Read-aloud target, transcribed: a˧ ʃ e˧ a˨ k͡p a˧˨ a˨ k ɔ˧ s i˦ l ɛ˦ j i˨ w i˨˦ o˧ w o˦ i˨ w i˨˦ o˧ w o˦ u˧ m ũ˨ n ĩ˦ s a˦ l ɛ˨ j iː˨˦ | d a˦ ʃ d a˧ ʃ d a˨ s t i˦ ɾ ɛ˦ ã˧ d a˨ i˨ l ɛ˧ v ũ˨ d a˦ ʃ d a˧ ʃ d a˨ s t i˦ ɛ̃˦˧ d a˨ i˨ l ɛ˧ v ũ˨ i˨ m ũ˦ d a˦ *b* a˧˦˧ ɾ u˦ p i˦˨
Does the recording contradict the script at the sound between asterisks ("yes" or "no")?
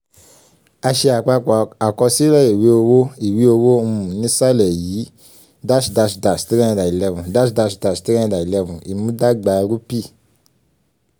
yes